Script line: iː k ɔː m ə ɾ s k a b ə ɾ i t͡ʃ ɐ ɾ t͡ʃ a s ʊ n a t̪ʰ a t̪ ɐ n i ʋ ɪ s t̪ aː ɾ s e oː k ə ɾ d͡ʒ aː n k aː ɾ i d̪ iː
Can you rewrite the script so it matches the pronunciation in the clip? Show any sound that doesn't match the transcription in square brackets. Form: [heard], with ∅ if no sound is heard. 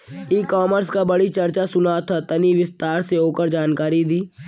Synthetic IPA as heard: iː k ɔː m ə ɾ s k a b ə [ɽ] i t͡ʃ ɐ ɾ t͡ʃ a s ʊ n a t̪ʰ a t̪ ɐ n i ʋ ɪ s t̪ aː ɾ s e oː k ə ɾ d͡ʒ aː n k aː ɾ i d̪ iː